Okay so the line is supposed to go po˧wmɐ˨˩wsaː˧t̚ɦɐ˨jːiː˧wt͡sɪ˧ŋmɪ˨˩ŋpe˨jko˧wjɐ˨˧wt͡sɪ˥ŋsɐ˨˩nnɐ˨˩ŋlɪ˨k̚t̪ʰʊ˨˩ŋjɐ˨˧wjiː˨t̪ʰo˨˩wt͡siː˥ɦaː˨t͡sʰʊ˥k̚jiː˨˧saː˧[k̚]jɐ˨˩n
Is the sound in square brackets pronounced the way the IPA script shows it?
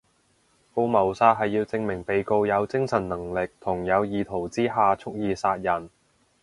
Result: no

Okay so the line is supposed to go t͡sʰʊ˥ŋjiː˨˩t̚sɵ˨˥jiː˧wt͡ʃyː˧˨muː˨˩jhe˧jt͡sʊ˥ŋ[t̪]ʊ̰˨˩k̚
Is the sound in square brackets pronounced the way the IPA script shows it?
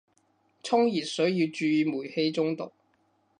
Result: yes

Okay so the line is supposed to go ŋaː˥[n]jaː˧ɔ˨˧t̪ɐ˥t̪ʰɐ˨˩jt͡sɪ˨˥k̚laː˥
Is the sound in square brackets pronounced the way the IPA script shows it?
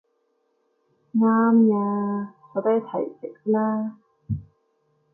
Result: no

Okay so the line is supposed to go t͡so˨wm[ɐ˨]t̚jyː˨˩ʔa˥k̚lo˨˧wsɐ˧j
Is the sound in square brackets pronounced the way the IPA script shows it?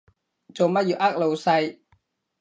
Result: no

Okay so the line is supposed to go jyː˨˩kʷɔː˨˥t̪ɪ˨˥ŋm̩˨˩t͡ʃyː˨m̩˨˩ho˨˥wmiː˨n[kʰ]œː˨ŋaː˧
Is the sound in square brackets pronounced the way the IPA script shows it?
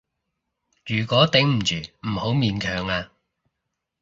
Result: yes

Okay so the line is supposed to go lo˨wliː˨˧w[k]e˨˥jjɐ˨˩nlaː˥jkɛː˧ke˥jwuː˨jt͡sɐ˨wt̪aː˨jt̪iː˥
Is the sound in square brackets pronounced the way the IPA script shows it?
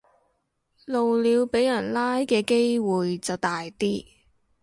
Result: no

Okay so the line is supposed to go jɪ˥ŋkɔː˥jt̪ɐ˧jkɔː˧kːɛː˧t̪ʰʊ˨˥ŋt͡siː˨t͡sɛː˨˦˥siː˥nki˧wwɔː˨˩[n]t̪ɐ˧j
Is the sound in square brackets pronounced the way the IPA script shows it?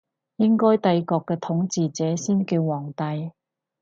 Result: no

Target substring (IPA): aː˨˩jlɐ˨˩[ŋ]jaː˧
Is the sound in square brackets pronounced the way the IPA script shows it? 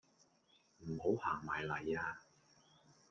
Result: no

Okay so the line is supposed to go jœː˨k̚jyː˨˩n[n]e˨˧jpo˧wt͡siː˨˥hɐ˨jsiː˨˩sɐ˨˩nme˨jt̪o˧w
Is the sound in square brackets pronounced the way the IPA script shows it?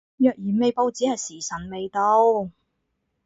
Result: no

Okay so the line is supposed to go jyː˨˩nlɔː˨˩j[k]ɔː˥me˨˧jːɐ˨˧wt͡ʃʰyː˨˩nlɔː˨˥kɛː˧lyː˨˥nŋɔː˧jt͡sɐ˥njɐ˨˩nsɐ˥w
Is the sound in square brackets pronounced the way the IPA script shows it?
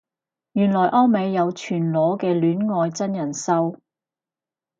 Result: no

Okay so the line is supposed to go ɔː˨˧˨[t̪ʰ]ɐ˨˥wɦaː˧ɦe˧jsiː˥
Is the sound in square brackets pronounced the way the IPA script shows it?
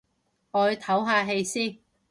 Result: yes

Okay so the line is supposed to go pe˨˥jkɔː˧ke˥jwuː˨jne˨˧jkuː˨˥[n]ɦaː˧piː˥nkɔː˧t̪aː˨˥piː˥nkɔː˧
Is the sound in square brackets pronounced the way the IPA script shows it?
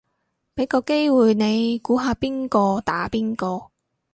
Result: no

